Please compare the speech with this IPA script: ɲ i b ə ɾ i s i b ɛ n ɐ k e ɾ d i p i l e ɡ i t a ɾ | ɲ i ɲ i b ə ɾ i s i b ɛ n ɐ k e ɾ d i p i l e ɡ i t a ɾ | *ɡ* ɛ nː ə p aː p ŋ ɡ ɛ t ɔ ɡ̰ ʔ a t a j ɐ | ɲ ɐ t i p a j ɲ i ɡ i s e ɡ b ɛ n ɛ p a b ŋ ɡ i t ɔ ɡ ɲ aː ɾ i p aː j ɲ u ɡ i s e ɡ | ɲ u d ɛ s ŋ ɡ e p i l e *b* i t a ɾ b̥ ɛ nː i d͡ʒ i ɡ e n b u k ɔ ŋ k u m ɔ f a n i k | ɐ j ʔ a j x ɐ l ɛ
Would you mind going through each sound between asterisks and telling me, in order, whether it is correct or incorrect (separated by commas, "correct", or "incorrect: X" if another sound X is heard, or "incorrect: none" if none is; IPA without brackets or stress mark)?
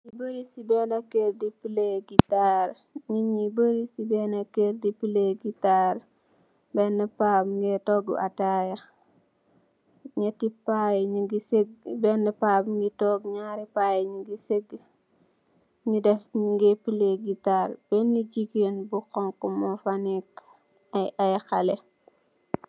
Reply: incorrect: b, incorrect: ɡ